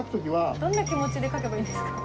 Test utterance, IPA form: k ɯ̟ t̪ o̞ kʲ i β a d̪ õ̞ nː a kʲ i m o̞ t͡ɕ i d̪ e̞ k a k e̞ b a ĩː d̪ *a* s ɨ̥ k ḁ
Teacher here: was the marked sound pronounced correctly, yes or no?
no